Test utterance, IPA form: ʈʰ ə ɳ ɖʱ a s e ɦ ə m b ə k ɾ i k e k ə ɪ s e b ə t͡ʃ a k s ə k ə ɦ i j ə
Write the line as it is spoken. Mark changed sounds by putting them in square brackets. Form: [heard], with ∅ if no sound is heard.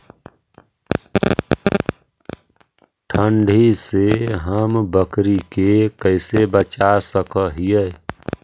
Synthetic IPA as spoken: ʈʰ ə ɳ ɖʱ [i] s e ɦ ə m b ə k ɾ i k e k ə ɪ s e b ə t͡ʃ a [∅] s ə k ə ɦ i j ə